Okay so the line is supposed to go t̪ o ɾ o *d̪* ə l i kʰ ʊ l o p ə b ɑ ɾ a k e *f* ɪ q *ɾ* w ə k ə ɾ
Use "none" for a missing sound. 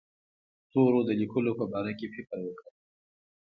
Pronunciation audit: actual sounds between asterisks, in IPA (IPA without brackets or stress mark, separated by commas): d̪, f, ɾ